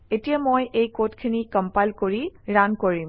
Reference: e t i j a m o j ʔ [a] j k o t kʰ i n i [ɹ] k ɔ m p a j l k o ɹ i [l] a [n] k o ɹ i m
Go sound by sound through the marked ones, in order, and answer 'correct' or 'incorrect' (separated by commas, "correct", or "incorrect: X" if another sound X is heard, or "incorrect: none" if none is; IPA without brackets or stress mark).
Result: incorrect: e, incorrect: none, incorrect: ɹ, correct